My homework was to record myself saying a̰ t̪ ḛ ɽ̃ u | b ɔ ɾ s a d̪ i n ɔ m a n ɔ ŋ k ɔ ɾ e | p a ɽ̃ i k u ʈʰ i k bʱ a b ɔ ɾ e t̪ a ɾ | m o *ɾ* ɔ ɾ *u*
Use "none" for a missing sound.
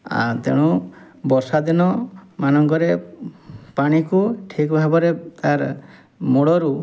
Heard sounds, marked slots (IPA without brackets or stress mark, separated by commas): ɽ, u